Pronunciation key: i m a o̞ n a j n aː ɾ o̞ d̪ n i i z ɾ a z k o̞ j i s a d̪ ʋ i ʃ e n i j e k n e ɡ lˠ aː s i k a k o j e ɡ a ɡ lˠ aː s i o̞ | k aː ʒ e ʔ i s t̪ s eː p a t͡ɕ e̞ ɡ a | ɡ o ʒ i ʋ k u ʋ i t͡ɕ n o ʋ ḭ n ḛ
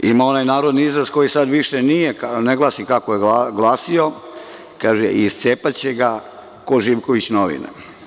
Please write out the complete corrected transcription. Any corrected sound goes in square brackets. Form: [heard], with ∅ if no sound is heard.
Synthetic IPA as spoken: i m a o̞ n a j n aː ɾ o̞ d̪ n i i z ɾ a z k o̞ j i s a d̪ ʋ i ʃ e n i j e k n e ɡ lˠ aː s i k a k o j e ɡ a ɡ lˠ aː s i o̞ | k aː ʒ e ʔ i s t̪ s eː p a t͡ɕ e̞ ɡ a | [k] o ʒ i ʋ k [o] ʋ i t͡ɕ n o ʋ ḭ n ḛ